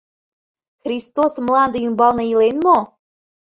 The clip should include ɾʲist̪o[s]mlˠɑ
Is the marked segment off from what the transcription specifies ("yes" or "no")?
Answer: no